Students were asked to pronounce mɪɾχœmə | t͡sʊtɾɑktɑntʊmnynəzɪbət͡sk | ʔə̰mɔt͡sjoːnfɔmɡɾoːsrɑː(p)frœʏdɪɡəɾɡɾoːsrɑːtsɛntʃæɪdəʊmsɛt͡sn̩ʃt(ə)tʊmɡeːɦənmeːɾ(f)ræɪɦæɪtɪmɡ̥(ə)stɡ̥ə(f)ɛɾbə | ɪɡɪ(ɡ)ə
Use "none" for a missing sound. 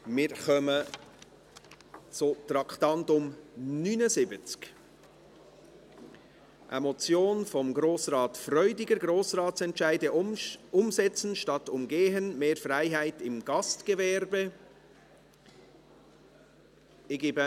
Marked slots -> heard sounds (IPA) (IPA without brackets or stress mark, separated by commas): t, ɑ, f, ɑ, v, b